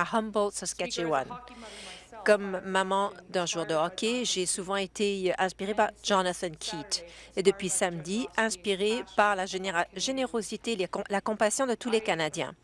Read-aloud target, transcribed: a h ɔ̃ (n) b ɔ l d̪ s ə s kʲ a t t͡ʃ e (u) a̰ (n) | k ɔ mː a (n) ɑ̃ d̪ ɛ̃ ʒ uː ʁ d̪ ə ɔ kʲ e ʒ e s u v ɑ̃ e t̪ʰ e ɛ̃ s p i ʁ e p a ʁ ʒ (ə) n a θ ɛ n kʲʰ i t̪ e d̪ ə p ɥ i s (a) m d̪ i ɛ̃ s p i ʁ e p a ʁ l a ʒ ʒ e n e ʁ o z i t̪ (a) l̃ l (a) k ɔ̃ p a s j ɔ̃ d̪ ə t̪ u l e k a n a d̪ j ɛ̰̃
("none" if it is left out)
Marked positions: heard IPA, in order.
m, w, n, m, ɑ, a, e, a

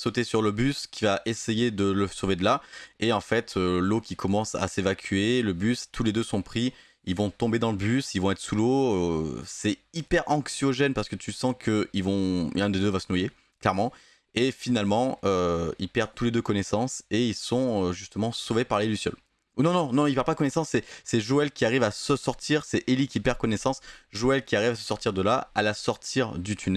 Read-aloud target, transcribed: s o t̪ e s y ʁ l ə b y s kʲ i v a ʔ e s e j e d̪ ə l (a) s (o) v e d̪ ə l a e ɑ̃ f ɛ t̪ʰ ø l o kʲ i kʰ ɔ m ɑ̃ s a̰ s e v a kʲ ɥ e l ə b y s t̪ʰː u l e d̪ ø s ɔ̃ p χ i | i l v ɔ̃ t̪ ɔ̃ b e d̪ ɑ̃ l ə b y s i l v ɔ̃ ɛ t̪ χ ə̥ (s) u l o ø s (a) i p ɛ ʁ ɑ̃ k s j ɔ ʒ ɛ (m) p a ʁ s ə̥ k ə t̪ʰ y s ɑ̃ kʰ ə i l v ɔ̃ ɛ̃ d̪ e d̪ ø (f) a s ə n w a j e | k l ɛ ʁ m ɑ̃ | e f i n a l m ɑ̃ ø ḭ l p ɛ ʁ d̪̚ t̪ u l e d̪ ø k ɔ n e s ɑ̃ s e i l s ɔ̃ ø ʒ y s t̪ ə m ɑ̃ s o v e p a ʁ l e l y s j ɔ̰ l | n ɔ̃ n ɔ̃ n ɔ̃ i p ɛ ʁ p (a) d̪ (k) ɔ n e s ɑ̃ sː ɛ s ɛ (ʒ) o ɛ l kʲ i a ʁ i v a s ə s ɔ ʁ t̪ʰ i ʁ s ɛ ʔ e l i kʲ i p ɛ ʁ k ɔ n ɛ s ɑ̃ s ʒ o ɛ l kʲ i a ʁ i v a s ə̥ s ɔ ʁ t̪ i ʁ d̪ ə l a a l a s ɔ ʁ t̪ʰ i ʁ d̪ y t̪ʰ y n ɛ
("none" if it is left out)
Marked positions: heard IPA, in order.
ə, o, s, ɛ, n, v, a, k, ʒ

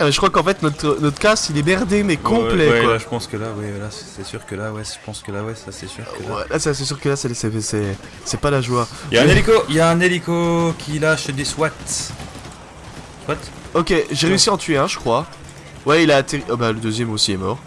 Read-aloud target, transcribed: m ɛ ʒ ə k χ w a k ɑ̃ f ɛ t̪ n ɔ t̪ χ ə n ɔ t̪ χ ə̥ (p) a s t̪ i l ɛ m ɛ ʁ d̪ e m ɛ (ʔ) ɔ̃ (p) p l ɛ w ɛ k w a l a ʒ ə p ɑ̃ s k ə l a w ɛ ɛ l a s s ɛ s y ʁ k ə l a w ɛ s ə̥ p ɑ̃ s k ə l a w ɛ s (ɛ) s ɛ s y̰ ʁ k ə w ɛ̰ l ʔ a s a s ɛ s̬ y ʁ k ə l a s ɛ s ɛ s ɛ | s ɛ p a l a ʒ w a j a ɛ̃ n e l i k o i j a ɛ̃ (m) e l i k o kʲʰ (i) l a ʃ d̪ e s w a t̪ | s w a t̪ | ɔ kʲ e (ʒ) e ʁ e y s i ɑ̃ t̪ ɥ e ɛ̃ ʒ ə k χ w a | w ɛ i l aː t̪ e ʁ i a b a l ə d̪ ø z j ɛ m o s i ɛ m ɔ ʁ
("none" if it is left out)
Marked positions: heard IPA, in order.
k, k, p, a, n, i, ʒ

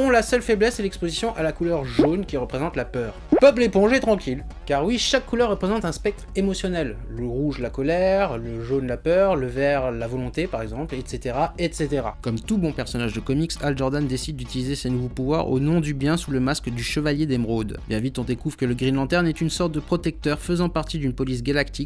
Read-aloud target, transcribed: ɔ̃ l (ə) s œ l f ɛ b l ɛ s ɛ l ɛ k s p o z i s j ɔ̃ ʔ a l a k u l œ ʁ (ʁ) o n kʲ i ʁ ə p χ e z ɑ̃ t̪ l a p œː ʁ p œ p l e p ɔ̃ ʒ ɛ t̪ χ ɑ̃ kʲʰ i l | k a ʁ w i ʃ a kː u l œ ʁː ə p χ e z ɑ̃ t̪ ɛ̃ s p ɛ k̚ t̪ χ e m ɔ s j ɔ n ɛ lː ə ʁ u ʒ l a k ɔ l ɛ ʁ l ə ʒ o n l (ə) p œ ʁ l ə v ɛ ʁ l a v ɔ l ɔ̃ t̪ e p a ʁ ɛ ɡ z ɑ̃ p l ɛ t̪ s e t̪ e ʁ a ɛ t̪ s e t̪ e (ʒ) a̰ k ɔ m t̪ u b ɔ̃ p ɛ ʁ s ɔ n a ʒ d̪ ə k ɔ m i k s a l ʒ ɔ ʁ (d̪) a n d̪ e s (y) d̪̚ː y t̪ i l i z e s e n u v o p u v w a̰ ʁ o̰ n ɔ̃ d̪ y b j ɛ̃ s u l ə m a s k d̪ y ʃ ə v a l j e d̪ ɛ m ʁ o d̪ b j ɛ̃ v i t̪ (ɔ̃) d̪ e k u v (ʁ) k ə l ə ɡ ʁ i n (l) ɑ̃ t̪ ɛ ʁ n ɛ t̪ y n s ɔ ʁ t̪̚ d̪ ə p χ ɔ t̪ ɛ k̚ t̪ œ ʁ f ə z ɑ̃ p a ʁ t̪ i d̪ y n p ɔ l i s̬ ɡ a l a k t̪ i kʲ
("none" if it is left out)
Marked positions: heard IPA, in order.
a, ʒ, a, ʁ, d̪, i, ɔ̃, ʁ, l

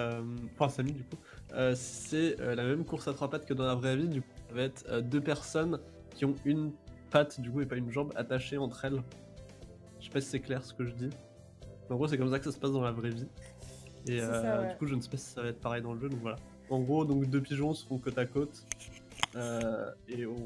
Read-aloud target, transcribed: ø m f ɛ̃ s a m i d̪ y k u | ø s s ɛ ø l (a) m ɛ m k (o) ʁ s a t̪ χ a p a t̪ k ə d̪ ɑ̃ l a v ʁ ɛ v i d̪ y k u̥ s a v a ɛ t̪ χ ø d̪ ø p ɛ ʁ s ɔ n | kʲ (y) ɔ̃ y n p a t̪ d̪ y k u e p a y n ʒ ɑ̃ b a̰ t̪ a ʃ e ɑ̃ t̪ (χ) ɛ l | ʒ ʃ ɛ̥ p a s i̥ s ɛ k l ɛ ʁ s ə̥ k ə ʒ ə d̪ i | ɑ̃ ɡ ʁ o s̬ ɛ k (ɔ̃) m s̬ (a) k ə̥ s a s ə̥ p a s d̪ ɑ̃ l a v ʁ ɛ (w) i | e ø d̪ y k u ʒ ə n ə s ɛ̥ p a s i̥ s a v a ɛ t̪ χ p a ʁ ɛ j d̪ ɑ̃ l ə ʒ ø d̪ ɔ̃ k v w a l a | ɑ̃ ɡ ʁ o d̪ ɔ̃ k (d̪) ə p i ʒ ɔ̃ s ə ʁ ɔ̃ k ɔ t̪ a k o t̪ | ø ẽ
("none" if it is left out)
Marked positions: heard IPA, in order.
a, u, i, χ, ɔ, a, v, d̪

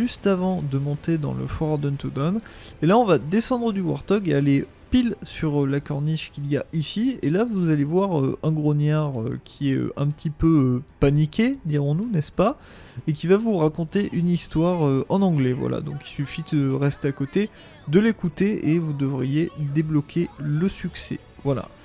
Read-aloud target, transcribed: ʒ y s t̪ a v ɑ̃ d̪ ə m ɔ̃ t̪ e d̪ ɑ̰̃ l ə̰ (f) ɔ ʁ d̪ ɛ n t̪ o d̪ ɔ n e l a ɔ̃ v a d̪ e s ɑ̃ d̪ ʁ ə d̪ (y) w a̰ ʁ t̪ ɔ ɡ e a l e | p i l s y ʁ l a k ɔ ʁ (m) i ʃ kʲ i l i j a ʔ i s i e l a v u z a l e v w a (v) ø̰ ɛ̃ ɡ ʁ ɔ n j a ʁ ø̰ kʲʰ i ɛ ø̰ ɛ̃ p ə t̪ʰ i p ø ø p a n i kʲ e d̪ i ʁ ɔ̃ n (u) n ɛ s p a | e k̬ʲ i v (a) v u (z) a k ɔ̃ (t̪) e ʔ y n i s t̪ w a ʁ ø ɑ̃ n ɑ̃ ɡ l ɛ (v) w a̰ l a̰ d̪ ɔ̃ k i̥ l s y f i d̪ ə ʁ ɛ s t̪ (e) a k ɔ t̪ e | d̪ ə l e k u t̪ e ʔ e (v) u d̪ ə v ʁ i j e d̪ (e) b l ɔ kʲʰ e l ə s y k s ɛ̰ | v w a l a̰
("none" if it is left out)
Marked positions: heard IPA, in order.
f, y, n, ʁ, u, a, ʁ, t̪, v, e, v, e

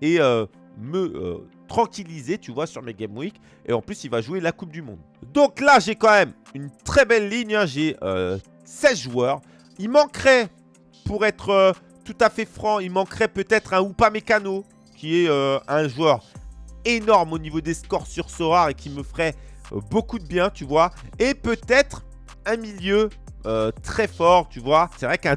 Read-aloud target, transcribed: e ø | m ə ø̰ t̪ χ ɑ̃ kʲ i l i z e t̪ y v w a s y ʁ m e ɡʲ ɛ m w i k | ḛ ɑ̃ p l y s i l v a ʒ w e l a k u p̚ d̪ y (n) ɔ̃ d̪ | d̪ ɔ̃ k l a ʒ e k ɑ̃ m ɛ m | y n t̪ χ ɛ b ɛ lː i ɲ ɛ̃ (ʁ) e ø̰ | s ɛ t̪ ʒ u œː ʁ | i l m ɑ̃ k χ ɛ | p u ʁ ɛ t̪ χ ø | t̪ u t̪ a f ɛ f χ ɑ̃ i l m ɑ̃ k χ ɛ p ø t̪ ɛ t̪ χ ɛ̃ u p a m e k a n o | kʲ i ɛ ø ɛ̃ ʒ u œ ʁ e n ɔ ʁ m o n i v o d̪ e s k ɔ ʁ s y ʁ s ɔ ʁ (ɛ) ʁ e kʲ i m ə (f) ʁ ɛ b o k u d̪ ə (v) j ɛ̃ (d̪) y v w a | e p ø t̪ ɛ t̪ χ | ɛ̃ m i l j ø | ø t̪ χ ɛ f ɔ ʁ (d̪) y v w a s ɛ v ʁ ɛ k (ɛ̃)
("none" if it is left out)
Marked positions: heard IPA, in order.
m, ʒ, a, f, b, t̪, t̪, ɛ̃

